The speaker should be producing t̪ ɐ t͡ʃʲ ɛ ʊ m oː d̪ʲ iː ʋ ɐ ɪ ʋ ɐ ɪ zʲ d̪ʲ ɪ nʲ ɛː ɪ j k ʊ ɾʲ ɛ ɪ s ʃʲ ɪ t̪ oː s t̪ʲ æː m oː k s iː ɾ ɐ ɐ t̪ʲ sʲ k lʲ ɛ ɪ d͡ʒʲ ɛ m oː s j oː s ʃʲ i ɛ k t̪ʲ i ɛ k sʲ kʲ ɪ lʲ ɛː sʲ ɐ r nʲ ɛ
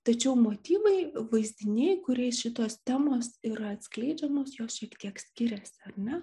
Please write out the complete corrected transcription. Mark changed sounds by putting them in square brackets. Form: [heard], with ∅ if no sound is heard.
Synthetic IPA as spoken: t̪ ɐ t͡ʃʲ ɛ ʊ m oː [t̪ʲ] iː ʋ ɐ ɪ ʋ ɐ ɪ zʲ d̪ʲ ɪ nʲ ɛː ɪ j k ʊ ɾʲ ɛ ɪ s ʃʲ ɪ t̪ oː s t̪ʲ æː m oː [∅] s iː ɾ ɐ ɐ t̪ʲ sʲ k lʲ ɛ ɪ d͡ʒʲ ɛ m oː s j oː s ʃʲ i ɛ k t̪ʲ i ɛ k sʲ kʲ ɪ [ɾʲ] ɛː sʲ ɐ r nʲ ɛ